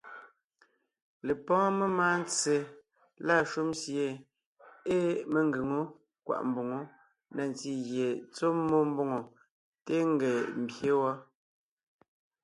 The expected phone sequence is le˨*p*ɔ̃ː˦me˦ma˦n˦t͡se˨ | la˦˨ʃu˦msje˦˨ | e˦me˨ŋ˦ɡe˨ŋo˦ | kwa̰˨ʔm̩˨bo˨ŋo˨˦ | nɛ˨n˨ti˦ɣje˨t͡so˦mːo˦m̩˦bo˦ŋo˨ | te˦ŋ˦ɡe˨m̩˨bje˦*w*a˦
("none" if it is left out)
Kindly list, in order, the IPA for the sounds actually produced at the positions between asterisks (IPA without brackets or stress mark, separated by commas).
p, w